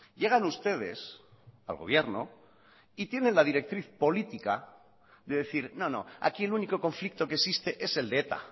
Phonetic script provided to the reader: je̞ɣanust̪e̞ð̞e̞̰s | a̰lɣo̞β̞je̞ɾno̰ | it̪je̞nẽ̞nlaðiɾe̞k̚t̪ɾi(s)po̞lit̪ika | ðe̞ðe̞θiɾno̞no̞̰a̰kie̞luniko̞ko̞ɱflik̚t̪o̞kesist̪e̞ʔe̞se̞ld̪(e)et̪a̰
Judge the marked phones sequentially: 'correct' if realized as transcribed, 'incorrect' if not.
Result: incorrect: θ, correct

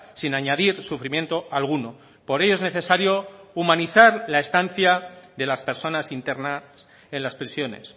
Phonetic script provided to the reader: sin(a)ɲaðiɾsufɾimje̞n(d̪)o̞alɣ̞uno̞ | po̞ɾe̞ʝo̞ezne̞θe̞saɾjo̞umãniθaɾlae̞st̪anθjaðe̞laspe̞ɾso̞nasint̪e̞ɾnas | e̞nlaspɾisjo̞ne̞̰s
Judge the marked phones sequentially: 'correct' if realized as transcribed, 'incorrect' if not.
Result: correct, incorrect: t̪

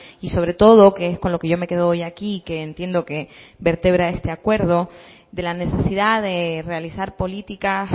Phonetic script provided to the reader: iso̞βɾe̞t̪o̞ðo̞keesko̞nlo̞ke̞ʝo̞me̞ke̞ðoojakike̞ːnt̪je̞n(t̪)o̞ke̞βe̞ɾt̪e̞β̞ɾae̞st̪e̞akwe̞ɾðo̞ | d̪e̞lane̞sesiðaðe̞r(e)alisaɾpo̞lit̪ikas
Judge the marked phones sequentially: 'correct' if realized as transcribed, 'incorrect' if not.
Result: incorrect: d̪, correct

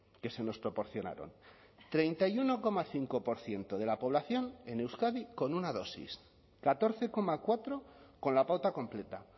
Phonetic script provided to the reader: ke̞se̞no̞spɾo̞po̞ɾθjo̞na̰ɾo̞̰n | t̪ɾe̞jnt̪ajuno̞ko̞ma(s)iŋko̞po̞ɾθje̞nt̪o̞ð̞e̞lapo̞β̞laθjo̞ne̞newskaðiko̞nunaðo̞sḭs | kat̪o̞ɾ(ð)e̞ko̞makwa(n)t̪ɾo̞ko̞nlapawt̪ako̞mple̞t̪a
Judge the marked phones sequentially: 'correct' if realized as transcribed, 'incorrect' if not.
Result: incorrect: θ, incorrect: θ, incorrect: none

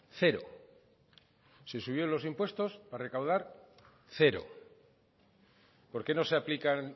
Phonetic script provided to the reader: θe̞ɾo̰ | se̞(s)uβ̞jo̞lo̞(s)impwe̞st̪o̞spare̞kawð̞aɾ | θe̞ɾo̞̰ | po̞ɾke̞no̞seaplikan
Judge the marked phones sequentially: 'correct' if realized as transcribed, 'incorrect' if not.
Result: correct, correct

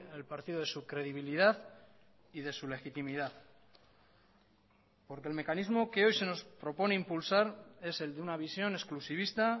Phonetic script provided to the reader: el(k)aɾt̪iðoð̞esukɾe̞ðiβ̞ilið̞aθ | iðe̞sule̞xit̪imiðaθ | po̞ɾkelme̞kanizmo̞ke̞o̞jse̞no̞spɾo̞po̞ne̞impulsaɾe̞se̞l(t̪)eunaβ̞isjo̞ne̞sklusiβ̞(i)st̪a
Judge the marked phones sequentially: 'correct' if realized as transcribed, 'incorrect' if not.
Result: incorrect: p, incorrect: d̪, correct

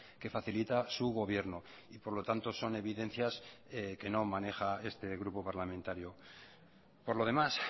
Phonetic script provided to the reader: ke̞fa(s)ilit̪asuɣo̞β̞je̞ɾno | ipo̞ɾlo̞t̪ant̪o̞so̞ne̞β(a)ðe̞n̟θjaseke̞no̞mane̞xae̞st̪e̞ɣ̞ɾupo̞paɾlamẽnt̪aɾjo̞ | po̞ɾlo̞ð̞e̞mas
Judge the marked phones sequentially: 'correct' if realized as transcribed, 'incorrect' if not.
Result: incorrect: θ, incorrect: i

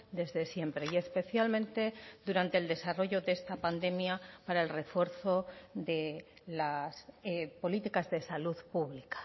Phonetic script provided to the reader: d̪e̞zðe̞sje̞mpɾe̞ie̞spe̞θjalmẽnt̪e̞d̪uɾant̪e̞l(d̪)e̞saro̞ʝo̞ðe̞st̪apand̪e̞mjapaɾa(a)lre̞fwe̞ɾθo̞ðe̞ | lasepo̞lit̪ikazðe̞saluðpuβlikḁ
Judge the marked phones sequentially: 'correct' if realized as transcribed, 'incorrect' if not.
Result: correct, incorrect: e

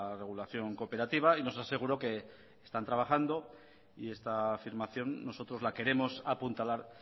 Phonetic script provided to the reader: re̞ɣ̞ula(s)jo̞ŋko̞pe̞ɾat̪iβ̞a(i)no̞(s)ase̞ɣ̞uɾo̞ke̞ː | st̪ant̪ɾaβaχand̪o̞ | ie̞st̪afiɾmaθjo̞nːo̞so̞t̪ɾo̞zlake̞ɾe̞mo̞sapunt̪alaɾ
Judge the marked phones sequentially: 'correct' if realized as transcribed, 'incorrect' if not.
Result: incorrect: θ, correct, correct

